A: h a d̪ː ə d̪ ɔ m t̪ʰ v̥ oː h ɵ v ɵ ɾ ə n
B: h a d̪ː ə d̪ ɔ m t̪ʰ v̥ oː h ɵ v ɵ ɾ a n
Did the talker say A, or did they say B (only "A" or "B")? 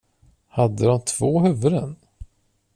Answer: A